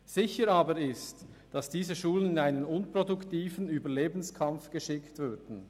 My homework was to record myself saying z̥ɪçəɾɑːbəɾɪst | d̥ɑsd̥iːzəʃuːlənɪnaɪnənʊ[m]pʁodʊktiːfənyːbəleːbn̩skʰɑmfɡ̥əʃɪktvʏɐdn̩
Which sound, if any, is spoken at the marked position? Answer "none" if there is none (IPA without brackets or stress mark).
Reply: n